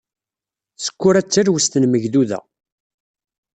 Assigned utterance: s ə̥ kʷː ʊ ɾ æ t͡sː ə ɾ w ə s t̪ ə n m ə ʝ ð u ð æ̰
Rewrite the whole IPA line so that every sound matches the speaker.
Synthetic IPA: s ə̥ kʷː ʊ ɾ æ t͡sː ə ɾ w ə s t̪ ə n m ə ʝ ð u ð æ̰